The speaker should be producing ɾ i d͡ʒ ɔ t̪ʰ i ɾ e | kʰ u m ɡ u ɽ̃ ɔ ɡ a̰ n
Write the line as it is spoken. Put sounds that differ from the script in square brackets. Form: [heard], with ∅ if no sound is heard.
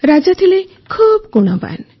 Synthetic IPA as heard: ɾ [a] d͡ʒ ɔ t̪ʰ i [l] e | kʰ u [b] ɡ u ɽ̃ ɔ [b] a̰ n